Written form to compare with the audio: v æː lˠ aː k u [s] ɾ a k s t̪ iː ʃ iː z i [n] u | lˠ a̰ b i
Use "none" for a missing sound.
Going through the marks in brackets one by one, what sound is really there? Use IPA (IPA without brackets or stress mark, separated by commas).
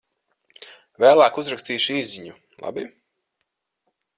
z, ɲ